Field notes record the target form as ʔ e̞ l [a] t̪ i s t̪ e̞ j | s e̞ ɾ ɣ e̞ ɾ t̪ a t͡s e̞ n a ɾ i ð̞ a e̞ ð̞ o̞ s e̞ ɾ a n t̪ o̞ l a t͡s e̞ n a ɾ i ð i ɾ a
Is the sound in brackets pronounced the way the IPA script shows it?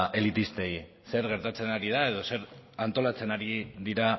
no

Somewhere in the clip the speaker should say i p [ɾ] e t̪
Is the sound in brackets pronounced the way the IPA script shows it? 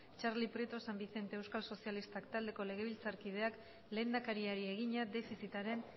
yes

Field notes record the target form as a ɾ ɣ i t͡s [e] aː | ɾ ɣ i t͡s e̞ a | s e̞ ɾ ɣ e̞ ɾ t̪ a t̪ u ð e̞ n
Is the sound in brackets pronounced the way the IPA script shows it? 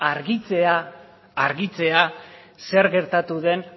yes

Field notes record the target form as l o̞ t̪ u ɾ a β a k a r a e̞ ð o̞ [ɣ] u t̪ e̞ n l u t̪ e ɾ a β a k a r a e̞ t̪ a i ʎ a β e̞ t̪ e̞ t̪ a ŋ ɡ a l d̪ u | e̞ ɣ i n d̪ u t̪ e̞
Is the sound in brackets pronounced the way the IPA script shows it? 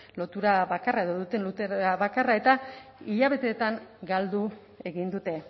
no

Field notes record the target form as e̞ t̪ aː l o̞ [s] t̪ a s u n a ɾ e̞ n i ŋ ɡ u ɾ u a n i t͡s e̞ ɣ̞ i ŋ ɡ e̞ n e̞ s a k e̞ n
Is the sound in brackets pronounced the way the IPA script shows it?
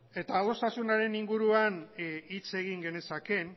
yes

